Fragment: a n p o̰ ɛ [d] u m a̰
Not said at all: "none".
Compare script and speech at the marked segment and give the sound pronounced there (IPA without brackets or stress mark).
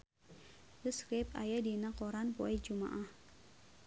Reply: d͡ʒ